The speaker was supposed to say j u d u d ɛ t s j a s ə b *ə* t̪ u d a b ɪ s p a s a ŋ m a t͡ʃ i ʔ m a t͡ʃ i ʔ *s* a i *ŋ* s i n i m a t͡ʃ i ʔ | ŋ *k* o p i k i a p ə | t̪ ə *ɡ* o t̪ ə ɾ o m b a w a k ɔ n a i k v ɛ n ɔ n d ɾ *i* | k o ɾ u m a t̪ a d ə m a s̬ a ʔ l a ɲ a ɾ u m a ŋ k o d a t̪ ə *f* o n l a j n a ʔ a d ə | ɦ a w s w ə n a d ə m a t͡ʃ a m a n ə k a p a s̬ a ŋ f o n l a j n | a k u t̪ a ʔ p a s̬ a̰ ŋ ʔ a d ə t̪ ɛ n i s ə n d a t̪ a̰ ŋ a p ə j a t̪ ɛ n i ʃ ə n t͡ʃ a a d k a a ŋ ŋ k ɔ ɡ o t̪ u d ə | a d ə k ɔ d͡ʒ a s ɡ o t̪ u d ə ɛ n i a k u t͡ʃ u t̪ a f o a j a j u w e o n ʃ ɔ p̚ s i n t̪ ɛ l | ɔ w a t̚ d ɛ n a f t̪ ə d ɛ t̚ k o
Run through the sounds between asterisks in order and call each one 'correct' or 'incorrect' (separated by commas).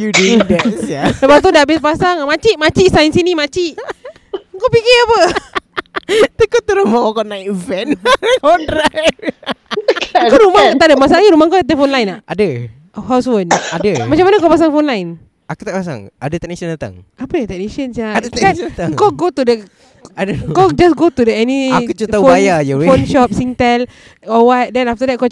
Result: incorrect, correct, incorrect, correct, incorrect, incorrect, correct